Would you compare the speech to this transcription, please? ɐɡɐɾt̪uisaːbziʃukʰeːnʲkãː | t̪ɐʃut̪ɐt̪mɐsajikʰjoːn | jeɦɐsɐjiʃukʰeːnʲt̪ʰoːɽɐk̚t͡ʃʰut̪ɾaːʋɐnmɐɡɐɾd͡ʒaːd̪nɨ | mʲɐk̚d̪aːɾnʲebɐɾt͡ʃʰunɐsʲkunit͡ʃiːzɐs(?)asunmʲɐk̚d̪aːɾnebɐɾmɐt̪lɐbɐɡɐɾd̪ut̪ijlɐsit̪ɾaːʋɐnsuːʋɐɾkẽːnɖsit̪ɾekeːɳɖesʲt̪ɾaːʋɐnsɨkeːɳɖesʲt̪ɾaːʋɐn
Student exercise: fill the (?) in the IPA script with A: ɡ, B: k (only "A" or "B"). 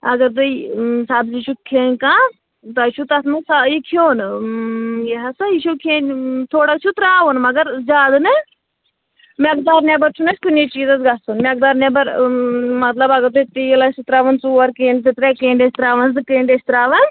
A